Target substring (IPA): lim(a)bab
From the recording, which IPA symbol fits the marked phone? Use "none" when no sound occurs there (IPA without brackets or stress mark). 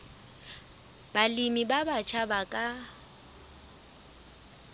i